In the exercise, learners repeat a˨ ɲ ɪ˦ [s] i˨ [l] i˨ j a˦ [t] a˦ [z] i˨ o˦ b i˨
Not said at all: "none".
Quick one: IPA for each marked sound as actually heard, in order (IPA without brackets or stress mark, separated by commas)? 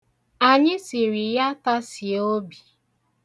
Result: s, ɾ, t, s